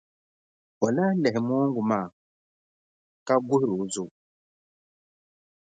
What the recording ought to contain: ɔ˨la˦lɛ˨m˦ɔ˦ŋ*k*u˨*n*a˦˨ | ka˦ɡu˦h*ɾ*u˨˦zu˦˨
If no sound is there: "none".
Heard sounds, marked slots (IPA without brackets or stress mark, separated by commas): ɡ, m, ɾ